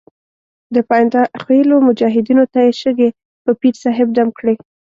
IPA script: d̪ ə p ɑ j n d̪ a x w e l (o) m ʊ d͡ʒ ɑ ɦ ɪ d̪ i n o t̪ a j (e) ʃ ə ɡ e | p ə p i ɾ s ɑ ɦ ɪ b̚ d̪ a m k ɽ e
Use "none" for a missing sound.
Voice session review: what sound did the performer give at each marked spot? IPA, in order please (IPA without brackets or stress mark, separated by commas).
o, e